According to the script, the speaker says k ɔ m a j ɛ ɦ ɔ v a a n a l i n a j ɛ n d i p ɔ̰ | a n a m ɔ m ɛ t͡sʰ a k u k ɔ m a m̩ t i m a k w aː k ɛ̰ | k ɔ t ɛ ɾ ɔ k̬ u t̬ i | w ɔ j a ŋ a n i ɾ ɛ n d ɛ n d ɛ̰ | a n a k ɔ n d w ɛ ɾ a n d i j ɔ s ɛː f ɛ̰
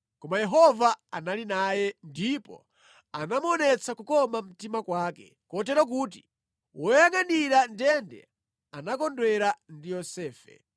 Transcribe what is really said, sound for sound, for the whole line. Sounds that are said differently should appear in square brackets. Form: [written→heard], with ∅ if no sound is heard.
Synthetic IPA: k ɔ m a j ɛ ɦ ɔ v a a n a l i n a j ɛ n d i p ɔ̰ | a n a m ɔ [m→n] ɛ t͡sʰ a k u k ɔ m a m̩ t i m a k w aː k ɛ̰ | k ɔ t ɛ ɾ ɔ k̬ u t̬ i | w ɔ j a ŋ a n i ɾ [ɛ→a] n d ɛ n d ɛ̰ | a n a k ɔ n d w ɛ ɾ a n d i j ɔ s ɛː f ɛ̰